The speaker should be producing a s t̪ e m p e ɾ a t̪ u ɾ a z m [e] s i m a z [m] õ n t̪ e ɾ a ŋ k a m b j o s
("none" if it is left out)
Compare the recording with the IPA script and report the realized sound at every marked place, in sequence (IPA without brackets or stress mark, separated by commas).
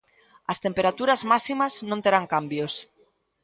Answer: a, n